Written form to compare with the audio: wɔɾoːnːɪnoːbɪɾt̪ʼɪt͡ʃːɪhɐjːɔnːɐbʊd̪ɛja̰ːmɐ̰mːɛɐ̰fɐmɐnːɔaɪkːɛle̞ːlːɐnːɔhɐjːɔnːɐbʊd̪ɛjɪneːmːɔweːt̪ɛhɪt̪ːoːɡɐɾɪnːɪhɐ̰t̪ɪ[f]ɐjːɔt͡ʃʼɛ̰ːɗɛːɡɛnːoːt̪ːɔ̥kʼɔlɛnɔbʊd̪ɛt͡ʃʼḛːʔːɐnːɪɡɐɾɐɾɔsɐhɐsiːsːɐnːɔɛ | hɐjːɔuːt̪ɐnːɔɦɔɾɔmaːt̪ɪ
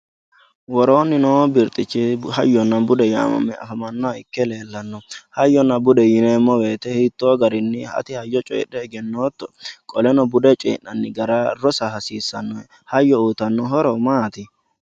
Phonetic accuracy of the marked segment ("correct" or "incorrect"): incorrect